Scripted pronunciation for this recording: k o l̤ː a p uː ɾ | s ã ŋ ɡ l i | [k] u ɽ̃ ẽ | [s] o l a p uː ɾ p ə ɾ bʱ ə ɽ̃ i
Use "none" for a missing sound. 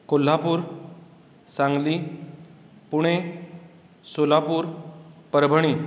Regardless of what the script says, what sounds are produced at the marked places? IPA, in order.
p, s

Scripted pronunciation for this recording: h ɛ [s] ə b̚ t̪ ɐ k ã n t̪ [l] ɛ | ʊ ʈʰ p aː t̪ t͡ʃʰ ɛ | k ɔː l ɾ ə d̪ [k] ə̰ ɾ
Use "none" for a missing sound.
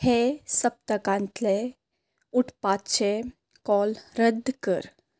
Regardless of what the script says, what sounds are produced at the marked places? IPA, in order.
s, l, k

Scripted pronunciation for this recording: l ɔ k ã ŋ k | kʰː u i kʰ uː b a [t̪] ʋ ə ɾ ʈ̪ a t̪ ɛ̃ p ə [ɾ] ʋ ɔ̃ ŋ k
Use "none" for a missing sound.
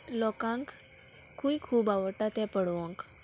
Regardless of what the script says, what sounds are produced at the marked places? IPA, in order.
none, ɽ

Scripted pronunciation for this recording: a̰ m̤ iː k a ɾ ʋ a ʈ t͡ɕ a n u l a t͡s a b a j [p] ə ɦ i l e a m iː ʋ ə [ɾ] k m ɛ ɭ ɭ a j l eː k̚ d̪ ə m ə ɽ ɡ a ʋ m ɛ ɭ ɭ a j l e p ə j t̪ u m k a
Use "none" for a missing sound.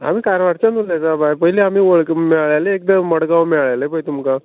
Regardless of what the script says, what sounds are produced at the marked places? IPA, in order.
p, ɭ

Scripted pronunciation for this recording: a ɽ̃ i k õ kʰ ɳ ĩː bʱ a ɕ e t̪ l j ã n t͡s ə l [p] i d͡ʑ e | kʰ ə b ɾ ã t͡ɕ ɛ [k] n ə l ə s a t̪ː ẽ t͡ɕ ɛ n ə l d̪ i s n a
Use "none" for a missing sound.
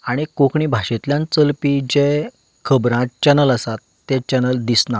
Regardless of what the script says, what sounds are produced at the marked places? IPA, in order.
p, none

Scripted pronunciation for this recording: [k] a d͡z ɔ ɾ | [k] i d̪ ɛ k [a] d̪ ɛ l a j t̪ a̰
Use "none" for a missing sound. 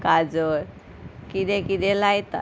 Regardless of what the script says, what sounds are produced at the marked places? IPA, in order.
k, k, i

